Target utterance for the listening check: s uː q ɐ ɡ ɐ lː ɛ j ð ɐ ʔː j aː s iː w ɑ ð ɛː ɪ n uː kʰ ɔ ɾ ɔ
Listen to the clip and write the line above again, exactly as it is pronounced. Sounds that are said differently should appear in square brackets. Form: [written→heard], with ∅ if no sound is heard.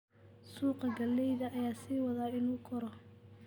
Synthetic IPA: s uː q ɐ ɡ ɐ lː ɛ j ð ɐ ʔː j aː s iː w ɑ ð [ɛː→aː] ɪ n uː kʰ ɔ ɾ ɔ